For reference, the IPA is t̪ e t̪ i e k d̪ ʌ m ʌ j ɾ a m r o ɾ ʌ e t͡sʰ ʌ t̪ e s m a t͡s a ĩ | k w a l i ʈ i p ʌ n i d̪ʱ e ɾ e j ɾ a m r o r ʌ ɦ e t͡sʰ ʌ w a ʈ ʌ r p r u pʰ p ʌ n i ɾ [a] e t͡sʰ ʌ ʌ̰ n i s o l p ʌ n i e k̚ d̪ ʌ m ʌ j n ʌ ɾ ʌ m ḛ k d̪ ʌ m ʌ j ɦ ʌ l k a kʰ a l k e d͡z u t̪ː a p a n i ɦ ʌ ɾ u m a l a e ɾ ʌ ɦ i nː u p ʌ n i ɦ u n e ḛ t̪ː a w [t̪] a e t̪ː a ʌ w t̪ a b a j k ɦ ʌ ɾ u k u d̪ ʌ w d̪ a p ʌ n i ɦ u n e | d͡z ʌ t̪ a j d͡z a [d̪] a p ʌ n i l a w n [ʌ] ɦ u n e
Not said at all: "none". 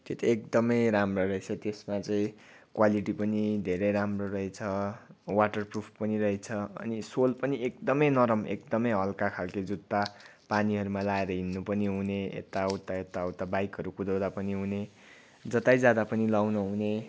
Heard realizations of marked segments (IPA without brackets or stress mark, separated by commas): ʌ, t̪, d̪, ʌ